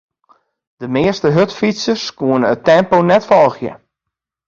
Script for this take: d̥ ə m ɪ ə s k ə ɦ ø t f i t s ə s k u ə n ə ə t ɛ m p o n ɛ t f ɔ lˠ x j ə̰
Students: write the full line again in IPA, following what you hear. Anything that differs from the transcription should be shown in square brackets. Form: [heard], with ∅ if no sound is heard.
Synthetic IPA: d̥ ə m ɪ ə s [t] ə ɦ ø t f i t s ə s k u ə n ə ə t ɛ m p o n ɛ t f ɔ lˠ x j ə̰